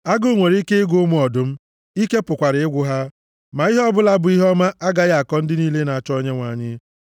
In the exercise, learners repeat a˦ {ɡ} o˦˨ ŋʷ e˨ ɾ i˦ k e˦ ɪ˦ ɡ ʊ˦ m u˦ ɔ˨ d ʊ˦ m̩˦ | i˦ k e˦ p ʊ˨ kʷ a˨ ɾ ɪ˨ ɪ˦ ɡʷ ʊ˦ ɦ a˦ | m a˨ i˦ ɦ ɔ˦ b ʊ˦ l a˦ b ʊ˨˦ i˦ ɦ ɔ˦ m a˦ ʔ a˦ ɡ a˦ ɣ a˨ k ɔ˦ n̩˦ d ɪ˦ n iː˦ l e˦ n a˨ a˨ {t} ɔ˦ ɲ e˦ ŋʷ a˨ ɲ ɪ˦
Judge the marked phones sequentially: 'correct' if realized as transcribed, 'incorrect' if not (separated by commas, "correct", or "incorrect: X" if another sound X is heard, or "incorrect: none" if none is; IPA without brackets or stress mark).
correct, incorrect: t͡ʃ